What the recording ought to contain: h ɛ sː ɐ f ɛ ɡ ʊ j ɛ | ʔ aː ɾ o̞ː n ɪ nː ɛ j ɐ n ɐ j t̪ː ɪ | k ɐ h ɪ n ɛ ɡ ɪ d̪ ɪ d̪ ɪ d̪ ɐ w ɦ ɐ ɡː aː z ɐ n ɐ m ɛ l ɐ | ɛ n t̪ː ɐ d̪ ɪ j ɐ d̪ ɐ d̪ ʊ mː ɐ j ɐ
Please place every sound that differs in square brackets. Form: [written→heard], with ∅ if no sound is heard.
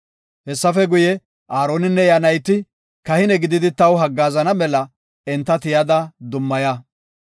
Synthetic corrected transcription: h ɛ sː ɐ f ɛ ɡ ʊ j ɛ | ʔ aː ɾ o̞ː n ɪ nː ɛ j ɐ n ɐ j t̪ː ɪ | k ɐ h ɪ n ɛ ɡ ɪ d̪ ɪ d̪ ɪ [d̪→t̪] ɐ w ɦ ɐ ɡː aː z ɐ n ɐ m ɛ l ɐ | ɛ n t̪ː ɐ [d̪→t̪] ɪ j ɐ d̪ ɐ d̪ ʊ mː ɐ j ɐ